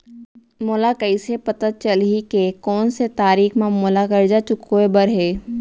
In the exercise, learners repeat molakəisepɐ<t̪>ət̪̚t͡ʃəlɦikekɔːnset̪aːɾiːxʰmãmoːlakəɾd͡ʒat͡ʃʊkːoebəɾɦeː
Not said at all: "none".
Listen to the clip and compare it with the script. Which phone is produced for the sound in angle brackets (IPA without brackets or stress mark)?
t̪